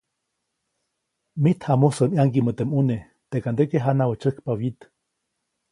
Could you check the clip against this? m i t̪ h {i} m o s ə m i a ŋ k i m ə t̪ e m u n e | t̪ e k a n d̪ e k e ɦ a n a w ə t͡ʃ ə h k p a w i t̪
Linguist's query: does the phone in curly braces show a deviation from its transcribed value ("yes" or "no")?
yes